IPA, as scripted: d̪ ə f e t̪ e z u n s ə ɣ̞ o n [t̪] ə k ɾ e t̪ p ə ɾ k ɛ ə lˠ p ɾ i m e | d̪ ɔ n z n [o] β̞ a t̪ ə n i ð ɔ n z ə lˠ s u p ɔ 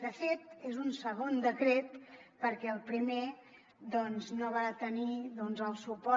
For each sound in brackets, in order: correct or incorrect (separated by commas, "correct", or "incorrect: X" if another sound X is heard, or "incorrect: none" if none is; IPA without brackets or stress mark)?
incorrect: d̪, correct